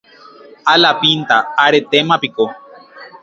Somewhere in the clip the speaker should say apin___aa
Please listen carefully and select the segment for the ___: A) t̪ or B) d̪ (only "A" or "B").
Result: A